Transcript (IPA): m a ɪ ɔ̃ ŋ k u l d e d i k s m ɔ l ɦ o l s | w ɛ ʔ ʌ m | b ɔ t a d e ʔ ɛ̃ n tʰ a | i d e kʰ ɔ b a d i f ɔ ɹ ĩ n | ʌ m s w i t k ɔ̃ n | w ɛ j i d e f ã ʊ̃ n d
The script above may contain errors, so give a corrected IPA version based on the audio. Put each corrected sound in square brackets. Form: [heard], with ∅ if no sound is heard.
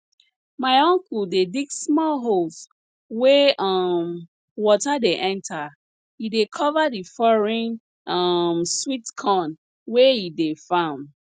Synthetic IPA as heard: m a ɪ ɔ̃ ŋ k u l d e d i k s m ɔ l ɦ o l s | w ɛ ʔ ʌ m | [w] ɔ t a d e ʔ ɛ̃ n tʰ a | i d e kʰ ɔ [v] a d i f ɔ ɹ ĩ n | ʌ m s w i t [kʰ] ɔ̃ n | w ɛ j i d e f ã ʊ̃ n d